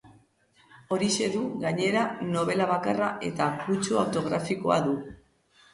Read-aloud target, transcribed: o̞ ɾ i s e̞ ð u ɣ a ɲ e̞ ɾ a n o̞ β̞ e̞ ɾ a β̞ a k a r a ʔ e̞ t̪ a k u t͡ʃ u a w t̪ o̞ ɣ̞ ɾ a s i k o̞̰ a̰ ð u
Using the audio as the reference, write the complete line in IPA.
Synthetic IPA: o̞ ɾ i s e̞ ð u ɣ a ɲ e̞ ɾ a n o̞ β̞ e̞ l a β̞ a k a r a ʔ e̞ t̪ a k u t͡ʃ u a w t̪ o̞ ɣ̞ ɾ a f i k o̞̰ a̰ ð u